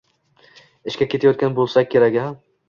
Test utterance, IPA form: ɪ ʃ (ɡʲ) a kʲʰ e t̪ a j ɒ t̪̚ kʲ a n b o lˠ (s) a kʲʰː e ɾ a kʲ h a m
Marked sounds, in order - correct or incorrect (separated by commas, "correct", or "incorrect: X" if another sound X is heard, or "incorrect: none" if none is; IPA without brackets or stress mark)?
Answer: incorrect: kʲ, correct